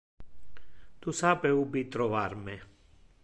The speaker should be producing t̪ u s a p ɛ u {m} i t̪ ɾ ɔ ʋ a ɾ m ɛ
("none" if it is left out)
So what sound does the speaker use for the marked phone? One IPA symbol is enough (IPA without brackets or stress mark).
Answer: b